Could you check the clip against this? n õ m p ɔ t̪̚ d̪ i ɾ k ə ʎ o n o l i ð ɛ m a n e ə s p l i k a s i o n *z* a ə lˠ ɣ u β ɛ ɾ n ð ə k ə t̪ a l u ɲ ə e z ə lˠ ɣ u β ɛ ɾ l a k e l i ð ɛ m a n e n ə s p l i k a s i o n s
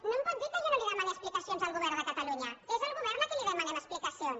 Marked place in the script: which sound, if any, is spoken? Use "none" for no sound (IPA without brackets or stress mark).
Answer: z